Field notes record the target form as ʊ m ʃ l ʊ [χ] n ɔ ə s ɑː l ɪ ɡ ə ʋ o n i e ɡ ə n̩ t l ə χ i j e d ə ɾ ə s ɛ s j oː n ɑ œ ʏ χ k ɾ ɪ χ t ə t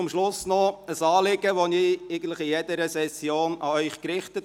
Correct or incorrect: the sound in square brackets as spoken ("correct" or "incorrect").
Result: incorrect